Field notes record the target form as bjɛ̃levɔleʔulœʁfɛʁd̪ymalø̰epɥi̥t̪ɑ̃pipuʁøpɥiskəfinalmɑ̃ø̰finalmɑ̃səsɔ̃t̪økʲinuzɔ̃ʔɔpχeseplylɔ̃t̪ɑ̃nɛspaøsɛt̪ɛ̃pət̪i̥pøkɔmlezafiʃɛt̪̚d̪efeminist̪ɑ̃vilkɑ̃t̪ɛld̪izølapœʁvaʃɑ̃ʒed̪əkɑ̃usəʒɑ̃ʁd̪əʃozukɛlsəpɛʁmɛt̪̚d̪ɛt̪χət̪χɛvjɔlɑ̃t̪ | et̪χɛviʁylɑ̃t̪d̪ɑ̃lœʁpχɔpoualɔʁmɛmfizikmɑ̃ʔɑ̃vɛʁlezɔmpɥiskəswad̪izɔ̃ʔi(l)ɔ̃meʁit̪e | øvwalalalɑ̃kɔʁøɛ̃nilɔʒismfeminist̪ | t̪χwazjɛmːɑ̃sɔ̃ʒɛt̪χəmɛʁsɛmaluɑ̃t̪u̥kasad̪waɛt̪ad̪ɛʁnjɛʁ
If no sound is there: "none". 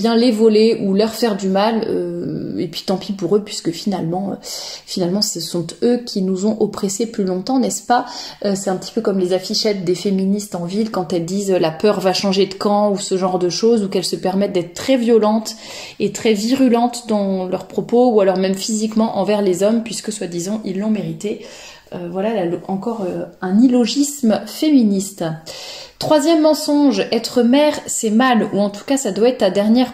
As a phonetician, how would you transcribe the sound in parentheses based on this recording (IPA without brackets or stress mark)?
lː